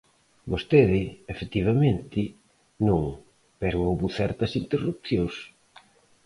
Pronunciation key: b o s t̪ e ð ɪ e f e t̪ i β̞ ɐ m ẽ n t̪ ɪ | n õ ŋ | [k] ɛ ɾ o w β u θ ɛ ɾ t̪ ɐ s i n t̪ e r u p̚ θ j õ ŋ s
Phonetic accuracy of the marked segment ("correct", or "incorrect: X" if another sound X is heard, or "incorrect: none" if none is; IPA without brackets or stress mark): incorrect: p